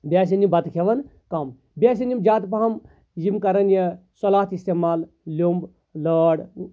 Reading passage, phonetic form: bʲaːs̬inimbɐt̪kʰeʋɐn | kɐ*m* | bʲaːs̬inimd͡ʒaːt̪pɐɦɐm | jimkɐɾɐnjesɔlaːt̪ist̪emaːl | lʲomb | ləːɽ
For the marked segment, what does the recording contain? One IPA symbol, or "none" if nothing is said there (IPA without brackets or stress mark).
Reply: m